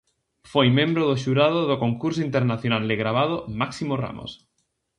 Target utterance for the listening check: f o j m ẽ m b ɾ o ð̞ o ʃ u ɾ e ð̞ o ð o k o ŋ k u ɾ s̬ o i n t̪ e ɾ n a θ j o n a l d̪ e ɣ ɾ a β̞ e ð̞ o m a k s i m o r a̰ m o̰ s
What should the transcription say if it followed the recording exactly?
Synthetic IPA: f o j m ẽ m b ɾ o ð̞ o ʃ u ɾ a ð̞ o ð o k o ŋ k u ɾ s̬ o i n t̪ e ɾ n a θ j o n a l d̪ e ɣ ɾ a β̞ a ð̞ o m a k s i m o r a̰ m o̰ s